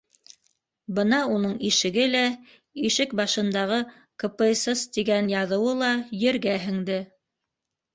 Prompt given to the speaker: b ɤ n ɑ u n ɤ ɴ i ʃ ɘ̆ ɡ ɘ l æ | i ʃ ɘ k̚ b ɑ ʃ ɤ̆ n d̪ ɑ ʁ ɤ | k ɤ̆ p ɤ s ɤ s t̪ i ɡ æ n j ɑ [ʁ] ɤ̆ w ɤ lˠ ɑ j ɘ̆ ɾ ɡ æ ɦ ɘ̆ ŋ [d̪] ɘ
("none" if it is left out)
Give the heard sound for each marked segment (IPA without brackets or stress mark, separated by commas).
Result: ð, d̪